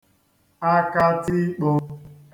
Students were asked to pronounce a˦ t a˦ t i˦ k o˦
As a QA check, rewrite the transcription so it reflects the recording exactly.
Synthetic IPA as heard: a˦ k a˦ t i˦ k͡p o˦